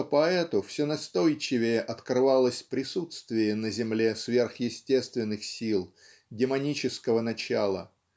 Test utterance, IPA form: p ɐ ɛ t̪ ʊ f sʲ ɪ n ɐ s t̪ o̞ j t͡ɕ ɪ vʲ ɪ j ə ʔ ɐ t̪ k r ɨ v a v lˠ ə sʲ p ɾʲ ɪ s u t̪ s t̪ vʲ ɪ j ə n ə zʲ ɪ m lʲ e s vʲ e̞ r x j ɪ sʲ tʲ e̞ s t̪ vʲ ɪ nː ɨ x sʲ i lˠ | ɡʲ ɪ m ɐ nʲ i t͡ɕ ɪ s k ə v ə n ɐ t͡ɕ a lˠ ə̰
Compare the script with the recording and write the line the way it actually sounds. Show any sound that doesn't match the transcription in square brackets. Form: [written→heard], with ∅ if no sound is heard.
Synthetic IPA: p ɐ ɛ t̪ ʊ f sʲ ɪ n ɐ s t̪ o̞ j t͡ɕ ɪ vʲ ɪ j ə ʔ ɐ t̪ k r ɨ v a [v→∅] lˠ ə sʲ p ɾʲ ɪ s u t̪ s t̪ vʲ ɪ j ə n ə zʲ ɪ m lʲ e s vʲ e̞ r x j ɪ sʲ tʲ e̞ s t̪ vʲ ɪ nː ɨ x sʲ i lˠ | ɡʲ ɪ m ɐ nʲ i t͡ɕ ɪ s k ə v ə n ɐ t͡ɕ a lˠ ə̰